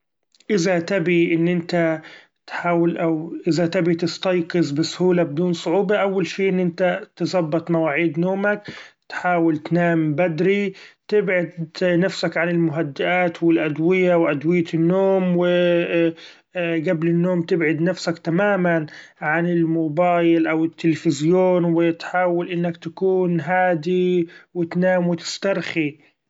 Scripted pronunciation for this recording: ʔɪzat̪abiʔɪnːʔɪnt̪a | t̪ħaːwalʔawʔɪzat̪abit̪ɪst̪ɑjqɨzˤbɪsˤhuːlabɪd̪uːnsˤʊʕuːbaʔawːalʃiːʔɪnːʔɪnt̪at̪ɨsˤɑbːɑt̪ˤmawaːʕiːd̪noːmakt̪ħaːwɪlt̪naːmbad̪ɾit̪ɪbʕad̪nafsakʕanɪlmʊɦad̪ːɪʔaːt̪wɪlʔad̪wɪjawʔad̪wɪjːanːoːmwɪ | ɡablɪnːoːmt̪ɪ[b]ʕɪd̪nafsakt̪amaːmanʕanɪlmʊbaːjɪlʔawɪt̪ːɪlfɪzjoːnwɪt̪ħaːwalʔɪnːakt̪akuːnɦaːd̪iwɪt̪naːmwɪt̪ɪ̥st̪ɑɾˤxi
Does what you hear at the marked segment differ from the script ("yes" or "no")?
no